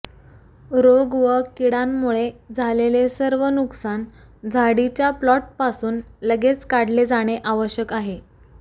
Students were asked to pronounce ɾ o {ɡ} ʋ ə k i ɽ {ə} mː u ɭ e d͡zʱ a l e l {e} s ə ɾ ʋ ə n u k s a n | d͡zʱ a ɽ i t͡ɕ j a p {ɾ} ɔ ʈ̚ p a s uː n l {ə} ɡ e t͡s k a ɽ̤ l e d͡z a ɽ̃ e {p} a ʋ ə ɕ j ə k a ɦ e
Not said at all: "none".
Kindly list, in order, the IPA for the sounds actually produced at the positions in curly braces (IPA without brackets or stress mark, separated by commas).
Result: ɡ, a, e, l, ə, ʔ